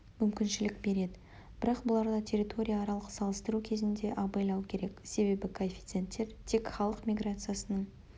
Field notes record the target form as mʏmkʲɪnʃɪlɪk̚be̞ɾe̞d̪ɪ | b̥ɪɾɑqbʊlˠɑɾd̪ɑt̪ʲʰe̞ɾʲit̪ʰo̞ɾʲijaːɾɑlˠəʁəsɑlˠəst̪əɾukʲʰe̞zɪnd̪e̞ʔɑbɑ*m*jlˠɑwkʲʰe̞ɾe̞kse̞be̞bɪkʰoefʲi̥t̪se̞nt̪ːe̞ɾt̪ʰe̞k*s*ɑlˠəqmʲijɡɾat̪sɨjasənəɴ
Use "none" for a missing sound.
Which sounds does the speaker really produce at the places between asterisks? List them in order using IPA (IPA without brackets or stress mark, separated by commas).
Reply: none, χ